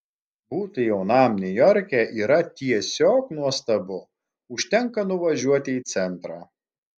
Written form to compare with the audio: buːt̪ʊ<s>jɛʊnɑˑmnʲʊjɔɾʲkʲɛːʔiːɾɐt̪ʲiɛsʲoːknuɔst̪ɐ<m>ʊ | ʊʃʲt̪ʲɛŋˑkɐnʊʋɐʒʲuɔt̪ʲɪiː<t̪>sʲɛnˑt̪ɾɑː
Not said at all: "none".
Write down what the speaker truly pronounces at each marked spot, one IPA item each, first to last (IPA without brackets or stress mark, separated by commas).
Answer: none, b, t̪